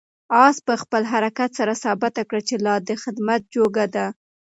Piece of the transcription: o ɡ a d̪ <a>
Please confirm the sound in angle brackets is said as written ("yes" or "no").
yes